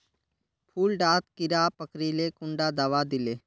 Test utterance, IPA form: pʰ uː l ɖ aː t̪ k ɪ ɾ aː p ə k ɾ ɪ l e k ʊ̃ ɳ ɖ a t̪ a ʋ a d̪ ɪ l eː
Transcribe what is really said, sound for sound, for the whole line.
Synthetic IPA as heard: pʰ uː l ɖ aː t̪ k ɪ ɾ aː p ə k ɾ i l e k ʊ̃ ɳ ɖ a d̪ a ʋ a d̪ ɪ l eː